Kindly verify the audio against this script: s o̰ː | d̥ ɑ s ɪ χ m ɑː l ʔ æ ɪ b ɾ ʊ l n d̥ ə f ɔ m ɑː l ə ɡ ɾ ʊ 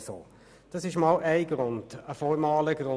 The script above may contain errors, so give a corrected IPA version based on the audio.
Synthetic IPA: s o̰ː | d̥ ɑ s ɪ ʃ m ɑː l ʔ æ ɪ ɡ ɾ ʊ n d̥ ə f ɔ m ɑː l ə ɡ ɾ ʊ